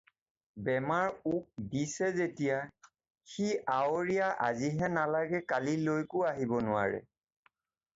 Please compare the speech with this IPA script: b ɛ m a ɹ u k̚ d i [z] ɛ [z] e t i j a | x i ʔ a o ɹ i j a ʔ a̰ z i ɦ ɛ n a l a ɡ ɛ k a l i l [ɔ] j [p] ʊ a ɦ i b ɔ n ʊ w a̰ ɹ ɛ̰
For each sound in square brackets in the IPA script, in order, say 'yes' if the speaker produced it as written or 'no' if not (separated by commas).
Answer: no, yes, no, no